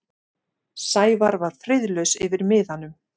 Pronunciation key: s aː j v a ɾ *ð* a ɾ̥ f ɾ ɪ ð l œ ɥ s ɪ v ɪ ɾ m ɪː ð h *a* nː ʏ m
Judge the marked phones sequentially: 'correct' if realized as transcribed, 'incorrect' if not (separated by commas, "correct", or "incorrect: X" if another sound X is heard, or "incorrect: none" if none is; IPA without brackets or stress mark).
incorrect: v, correct